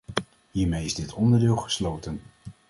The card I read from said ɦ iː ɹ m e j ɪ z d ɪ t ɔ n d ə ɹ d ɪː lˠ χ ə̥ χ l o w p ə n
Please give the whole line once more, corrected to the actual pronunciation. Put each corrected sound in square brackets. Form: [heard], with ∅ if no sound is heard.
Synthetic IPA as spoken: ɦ iː ɹ m e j ɪ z d ɪ t ɔ n d ə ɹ d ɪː lˠ χ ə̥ [s] l o w [t] ə n